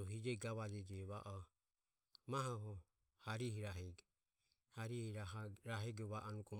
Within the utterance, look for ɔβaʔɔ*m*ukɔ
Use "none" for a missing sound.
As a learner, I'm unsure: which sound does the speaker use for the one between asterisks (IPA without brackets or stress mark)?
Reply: n